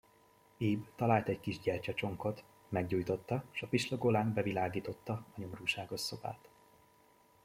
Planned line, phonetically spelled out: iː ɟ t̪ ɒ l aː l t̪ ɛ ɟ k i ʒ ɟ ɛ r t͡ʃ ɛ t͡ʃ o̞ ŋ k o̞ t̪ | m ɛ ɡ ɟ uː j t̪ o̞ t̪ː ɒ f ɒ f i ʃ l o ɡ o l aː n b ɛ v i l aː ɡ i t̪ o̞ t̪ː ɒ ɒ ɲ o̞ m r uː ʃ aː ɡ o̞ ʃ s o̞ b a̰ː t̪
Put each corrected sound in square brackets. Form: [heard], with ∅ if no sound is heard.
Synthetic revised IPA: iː [b] t̪ ɒ l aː l t̪ ɛ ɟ k i ʒ ɟ ɛ r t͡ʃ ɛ t͡ʃ o̞ ŋ k o̞ t̪ | m ɛ ɡ ɟ uː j t̪ o̞ t̪ː ɒ [ʃ] ɒ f i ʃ l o ɡ o l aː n b ɛ v i l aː ɡ [iː] t̪ o̞ t̪ː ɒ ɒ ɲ o̞ m r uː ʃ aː ɡ o̞ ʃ s o̞ b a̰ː t̪

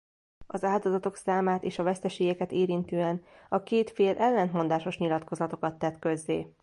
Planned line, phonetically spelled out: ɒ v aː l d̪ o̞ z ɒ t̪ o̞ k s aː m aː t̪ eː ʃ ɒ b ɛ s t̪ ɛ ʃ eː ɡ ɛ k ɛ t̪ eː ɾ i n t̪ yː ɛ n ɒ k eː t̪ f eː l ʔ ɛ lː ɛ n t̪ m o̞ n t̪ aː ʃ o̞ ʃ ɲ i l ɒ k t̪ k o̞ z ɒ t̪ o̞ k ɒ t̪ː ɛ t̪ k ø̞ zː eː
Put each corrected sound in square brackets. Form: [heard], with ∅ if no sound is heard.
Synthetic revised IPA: ɒ [z] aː l d̪ o̞ z ɒ t̪ o̞ k s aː m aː t̪ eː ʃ ɒ [v] ɛ s t̪ ɛ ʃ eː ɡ ɛ k ɛ t̪ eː ɾ i n t̪ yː ɛ n ɒ k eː t̪ f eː l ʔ ɛ lː ɛ n t̪ m o̞ n [d̪] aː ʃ o̞ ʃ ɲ i l ɒ [∅] t̪ k o̞ z ɒ t̪ o̞ k ɒ t̪ː ɛ t̪ k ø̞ zː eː

